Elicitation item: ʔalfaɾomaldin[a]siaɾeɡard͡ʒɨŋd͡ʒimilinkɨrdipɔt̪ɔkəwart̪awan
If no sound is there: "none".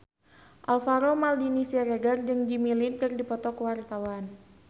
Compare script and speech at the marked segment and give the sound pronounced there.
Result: i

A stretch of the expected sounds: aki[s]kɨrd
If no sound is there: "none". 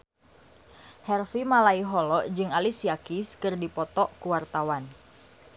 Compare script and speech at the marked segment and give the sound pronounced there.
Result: s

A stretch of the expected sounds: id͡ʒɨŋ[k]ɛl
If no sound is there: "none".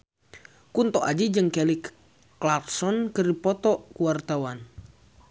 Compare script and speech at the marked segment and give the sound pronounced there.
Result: k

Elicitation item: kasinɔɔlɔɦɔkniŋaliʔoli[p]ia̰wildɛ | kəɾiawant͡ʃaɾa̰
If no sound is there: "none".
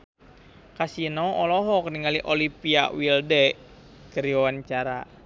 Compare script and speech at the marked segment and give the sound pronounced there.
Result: p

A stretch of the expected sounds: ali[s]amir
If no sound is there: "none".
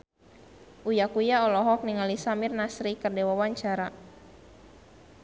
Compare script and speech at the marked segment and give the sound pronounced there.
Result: s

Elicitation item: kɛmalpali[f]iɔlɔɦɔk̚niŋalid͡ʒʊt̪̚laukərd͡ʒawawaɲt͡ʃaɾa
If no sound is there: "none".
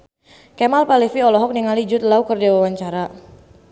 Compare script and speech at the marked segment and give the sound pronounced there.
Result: f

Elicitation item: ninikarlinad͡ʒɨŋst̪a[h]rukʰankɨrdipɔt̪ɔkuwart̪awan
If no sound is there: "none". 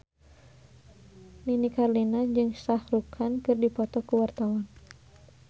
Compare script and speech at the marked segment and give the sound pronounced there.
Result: h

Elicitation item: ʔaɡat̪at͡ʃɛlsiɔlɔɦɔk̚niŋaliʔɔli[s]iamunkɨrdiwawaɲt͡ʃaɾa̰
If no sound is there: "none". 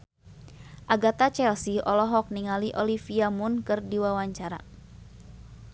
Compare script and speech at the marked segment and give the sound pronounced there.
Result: f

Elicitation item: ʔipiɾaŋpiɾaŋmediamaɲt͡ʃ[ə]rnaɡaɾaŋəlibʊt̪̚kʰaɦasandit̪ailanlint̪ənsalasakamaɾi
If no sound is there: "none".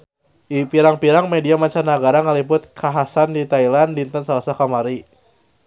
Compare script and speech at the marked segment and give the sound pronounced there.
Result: a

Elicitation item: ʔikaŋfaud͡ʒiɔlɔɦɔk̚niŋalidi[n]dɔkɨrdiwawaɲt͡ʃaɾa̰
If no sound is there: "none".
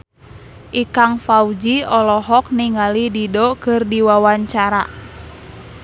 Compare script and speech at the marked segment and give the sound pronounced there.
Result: none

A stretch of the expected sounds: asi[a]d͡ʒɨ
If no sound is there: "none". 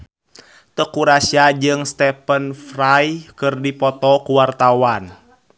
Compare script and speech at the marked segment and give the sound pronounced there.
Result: a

